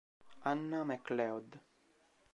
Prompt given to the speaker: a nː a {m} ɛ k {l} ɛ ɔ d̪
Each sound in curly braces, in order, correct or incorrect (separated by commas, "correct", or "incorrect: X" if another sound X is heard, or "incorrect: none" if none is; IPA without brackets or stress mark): correct, correct